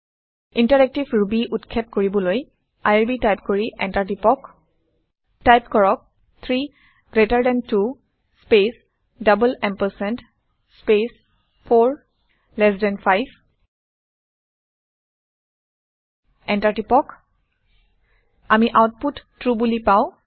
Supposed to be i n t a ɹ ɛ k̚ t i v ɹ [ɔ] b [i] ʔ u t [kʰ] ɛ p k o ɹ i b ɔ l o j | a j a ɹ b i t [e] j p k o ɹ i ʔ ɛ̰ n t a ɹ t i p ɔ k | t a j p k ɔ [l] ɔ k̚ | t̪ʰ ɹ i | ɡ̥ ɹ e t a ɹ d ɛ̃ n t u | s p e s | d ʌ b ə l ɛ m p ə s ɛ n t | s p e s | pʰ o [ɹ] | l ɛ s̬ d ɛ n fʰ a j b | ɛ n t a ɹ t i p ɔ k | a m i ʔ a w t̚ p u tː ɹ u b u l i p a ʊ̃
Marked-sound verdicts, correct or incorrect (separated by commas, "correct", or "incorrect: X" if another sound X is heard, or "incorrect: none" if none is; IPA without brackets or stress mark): incorrect: u, correct, correct, incorrect: a, incorrect: ɹ, correct